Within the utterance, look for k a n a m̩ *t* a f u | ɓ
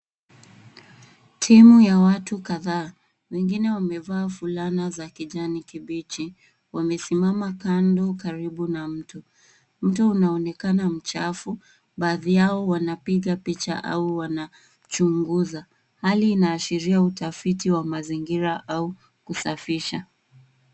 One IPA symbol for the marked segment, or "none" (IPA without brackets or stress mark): t͡ʃ